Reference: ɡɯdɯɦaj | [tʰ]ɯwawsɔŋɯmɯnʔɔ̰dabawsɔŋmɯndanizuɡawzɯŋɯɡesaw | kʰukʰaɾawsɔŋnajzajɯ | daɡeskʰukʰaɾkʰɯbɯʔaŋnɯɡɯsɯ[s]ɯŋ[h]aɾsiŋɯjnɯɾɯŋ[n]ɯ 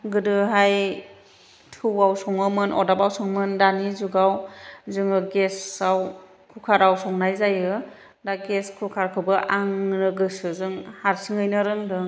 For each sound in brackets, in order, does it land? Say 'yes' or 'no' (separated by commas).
yes, no, yes, no